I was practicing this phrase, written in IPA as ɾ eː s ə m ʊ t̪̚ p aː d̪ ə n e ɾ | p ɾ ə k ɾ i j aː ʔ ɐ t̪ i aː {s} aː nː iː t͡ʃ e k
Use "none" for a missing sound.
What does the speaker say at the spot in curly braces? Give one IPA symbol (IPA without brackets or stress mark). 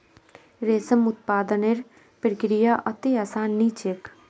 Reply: s